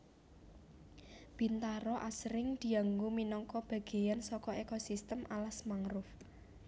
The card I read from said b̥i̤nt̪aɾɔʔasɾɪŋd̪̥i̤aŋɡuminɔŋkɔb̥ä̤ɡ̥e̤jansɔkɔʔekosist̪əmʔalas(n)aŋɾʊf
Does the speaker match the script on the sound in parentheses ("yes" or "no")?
no